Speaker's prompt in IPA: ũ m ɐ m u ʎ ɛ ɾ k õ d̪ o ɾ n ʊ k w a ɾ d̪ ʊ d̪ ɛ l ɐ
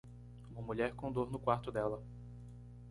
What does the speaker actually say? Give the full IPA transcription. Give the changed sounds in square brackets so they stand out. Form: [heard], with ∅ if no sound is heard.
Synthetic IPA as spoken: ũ m ɐ m u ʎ ɛ ɾ k õ d̪ o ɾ n ʊ k w a ɾ [t̪] ʊ d̪ ɛ l ɐ